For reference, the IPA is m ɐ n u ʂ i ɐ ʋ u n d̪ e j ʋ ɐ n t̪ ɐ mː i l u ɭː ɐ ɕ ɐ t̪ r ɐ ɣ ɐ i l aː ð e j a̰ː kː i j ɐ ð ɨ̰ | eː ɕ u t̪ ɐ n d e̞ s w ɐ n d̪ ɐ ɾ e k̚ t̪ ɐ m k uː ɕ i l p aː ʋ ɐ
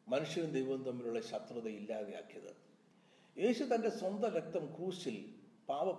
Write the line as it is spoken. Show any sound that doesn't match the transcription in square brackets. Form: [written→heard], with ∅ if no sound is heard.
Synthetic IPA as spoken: m ɐ n u ʂ [i→j] ɐ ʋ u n d̪ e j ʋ ɐ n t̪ ɐ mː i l u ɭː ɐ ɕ ɐ t̪ r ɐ [ɣ→ð] ɐ i [l→lː] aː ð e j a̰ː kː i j ɐ ð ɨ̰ | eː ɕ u t̪ ɐ n d e̞ s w ɐ n d̪ ɐ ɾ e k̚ t̪ ɐ m k uː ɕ i l p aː ʋ ɐ